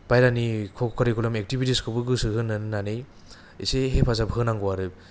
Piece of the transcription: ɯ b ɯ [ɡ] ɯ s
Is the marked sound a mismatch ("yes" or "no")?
no